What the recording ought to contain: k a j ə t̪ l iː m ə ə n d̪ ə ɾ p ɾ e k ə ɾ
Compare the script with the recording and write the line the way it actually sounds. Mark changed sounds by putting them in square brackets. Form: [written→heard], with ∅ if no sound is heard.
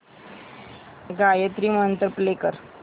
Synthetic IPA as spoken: [k→ɡ] a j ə t̪ [l→ɾ] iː m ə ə n [d̪→t̪] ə ɾ p [ɾ→l] e k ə ɾ